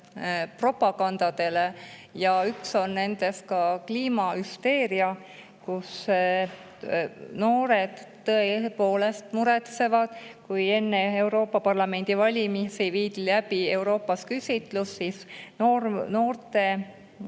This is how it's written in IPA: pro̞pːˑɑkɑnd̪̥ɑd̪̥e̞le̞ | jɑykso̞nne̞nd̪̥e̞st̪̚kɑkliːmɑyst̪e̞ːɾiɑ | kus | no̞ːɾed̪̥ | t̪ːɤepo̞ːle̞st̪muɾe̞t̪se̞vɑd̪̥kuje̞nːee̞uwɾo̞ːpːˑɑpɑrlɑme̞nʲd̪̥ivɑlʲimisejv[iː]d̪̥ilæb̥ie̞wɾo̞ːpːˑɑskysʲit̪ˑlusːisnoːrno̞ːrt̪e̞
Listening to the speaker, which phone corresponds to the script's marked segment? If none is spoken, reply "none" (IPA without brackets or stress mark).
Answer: iː